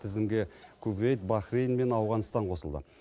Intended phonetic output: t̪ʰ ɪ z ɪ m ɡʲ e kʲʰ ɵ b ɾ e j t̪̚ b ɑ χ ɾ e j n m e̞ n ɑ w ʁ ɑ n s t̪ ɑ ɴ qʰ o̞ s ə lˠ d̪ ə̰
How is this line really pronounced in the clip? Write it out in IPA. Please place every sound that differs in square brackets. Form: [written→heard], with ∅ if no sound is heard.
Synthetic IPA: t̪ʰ ɪ z ɪ m ɡʲ e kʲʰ ɵ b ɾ e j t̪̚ b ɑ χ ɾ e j n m e̞ n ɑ w ʁ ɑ n s t̪ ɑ ɴ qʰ o̞ s ə lˠ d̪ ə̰